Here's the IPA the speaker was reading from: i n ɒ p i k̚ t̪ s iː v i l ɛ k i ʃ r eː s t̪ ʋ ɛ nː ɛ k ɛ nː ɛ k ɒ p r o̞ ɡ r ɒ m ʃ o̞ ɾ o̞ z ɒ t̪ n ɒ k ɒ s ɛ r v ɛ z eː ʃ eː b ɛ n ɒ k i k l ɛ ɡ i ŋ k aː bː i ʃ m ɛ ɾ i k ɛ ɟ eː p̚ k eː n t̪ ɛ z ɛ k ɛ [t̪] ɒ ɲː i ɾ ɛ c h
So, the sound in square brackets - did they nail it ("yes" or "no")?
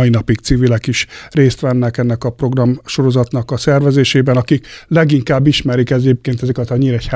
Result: yes